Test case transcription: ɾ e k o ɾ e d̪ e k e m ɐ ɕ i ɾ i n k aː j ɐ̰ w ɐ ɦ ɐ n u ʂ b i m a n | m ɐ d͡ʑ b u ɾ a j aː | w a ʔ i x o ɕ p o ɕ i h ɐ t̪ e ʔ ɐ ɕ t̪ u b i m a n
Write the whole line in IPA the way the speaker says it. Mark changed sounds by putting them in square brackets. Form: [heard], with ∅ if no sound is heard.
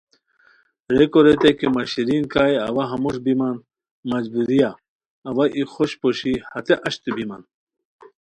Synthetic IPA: ɾ e k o ɾ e [t̪] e k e m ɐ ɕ i ɾ i n k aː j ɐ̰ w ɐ ɦ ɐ [m] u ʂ b i m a n | m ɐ d͡ʑ b u ɾ [i] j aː | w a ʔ i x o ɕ p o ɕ i h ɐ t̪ e ʔ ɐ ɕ t̪ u b i m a n